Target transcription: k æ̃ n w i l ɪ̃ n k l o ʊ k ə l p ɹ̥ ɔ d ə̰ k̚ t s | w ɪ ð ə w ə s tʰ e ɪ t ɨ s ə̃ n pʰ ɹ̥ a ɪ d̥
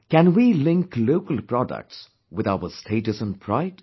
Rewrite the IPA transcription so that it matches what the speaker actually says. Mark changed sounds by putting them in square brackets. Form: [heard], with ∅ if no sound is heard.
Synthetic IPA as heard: k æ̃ n w i l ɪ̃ [ŋ] k l o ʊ k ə l p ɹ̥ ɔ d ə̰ k̚ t s | w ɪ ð [a] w ə s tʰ e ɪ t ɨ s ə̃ n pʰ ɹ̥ a ɪ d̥